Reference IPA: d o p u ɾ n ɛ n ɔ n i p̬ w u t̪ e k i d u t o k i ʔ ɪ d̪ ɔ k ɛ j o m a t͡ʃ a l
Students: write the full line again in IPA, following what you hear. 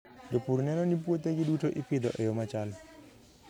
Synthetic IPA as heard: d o p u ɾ n ɛ n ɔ n i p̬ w o t̪ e ɡ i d u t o ʔ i p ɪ d̪ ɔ ʔ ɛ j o m a t͡ʃ a l